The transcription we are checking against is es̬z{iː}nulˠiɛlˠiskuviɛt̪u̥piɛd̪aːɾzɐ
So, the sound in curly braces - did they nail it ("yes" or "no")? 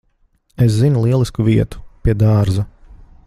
no